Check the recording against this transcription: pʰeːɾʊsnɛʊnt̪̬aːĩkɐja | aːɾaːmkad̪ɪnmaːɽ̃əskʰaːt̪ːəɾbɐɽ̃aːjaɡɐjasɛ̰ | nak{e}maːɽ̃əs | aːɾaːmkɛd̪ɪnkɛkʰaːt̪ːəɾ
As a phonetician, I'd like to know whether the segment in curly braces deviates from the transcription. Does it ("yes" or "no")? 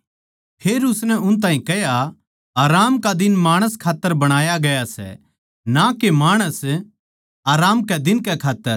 no